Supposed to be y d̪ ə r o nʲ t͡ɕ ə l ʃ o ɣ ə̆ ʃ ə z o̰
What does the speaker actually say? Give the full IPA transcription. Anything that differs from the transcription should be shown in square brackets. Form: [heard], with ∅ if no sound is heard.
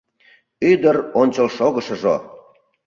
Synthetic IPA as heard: y d̪ ə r o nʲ t͡ɕ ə l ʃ o ɣ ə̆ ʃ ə [ʒ] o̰